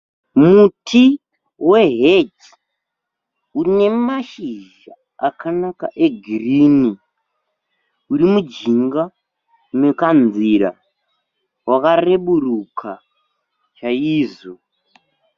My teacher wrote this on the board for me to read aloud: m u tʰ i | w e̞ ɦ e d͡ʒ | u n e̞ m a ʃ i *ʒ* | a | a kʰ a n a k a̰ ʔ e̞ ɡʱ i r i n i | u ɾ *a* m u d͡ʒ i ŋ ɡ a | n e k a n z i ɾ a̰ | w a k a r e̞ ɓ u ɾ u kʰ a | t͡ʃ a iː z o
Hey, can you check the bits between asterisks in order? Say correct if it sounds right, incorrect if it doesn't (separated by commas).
correct, incorrect